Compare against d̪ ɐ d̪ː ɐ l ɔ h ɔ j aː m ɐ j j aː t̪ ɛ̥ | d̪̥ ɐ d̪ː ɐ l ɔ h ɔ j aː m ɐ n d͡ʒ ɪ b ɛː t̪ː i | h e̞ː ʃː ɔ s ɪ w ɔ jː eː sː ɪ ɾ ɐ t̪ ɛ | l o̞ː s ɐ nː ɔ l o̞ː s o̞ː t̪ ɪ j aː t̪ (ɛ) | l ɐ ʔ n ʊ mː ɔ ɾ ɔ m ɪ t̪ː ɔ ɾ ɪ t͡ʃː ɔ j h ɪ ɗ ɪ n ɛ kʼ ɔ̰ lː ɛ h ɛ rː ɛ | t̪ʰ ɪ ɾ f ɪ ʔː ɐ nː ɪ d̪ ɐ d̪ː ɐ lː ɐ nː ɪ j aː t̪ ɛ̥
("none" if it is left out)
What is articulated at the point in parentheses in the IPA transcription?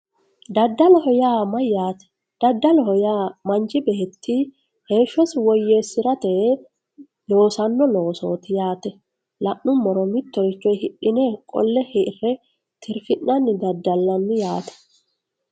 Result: ɛ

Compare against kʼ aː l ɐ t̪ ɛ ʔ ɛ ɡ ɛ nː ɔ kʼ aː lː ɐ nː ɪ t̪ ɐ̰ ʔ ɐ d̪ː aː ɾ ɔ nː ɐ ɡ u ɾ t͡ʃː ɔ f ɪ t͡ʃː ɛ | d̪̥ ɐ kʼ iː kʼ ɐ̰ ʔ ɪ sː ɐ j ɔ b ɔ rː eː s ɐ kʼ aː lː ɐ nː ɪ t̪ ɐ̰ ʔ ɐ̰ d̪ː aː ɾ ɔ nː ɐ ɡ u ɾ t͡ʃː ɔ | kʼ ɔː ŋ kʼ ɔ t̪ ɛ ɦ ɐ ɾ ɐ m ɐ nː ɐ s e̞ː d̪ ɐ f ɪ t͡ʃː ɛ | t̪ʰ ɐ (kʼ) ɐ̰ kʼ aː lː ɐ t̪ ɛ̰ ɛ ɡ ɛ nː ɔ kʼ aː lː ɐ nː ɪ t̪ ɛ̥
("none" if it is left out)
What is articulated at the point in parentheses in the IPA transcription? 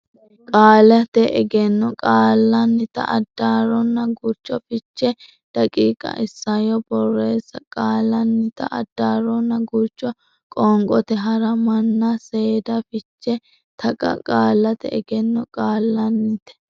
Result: kʼ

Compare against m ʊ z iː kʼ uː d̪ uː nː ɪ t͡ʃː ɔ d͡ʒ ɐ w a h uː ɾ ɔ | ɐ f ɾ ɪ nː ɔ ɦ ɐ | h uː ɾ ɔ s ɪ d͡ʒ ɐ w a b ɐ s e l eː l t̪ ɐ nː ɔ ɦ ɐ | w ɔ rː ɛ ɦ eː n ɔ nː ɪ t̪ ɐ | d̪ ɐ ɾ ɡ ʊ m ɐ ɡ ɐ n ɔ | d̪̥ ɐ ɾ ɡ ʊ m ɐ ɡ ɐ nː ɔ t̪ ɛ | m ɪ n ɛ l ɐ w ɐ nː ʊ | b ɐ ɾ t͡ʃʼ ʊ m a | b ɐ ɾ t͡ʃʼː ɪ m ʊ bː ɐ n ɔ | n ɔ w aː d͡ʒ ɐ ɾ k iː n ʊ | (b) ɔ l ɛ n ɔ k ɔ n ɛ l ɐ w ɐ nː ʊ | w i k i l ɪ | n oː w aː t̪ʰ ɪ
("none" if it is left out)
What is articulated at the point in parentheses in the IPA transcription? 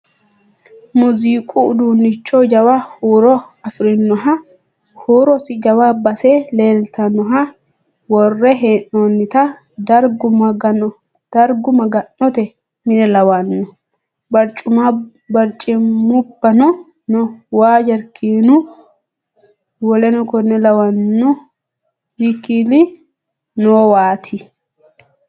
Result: w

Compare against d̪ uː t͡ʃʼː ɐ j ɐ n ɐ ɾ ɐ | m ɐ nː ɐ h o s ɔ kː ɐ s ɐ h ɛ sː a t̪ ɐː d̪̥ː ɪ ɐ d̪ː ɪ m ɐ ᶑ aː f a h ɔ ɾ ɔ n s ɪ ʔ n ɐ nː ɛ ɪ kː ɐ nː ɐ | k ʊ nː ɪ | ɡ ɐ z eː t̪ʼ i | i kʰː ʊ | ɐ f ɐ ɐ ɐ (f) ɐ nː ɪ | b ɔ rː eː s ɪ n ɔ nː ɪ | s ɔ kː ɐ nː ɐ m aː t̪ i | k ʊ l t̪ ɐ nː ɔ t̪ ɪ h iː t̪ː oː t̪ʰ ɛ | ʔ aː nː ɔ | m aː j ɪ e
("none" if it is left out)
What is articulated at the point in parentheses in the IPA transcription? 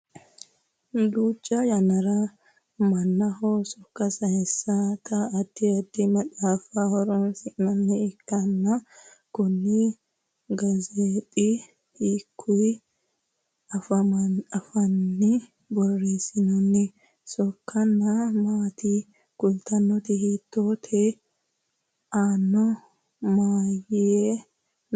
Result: f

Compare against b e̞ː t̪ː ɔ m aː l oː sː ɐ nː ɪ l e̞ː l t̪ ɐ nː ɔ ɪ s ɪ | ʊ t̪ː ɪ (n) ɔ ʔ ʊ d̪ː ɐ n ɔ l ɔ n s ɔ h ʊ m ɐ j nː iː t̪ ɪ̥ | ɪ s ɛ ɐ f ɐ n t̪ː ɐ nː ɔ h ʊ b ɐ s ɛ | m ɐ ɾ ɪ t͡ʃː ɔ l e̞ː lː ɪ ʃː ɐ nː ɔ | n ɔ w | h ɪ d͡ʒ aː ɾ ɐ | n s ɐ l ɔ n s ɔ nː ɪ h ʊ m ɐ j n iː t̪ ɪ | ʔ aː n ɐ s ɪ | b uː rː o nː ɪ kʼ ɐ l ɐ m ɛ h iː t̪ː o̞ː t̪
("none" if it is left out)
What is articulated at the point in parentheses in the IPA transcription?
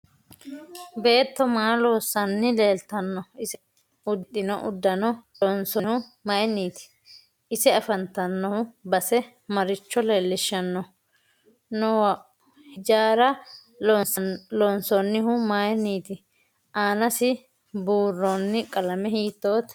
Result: n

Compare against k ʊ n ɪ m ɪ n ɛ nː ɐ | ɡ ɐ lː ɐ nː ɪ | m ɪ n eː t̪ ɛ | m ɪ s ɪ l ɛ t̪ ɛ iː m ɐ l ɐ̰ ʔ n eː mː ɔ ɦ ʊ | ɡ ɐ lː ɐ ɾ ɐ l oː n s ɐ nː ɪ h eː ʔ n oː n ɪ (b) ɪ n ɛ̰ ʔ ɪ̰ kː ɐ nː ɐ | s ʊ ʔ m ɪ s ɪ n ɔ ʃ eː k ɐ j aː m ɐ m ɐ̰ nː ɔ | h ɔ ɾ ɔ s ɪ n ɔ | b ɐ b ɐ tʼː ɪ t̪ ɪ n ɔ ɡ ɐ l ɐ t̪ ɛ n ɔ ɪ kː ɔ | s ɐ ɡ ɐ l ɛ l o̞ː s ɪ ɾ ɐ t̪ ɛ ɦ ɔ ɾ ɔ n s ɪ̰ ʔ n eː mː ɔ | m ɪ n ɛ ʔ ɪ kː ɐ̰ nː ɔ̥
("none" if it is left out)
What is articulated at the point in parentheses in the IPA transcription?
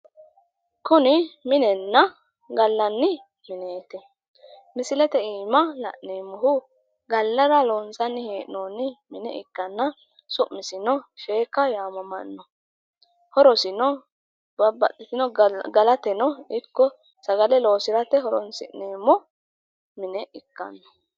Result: m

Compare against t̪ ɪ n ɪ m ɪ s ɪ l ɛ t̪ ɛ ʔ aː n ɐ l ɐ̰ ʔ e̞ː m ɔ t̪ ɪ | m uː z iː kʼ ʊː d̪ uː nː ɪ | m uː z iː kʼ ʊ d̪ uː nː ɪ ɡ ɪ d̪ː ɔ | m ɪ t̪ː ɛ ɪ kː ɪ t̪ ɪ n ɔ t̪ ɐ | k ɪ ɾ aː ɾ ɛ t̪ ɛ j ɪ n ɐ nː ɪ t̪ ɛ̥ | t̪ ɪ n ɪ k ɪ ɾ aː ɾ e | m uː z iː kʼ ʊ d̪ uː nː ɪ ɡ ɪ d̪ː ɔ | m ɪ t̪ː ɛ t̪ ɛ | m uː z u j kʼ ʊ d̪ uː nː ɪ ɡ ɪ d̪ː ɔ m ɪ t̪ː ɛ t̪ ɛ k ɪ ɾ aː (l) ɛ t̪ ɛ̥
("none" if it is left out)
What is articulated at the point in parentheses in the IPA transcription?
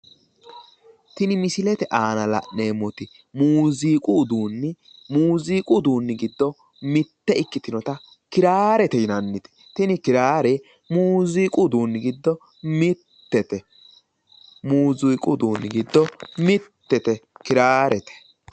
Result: ɾ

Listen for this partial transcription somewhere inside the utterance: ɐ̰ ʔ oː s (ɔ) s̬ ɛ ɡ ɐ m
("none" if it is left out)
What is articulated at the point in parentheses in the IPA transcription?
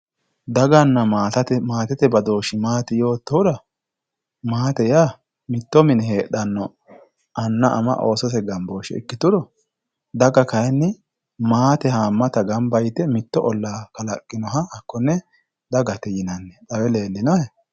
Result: ɔ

